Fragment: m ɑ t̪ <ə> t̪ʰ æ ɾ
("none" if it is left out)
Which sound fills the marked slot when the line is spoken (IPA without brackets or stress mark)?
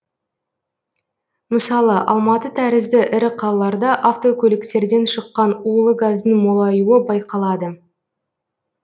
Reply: ə